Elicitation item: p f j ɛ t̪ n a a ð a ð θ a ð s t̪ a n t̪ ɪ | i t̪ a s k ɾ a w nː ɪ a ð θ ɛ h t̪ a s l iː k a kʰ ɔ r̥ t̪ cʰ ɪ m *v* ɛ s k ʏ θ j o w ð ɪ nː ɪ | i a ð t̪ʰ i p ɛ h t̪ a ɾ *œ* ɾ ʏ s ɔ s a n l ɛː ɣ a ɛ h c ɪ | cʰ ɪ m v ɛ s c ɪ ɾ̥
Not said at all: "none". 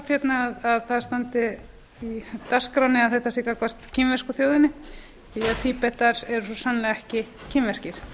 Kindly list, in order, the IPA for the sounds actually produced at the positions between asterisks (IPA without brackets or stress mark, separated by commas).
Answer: v, ɛ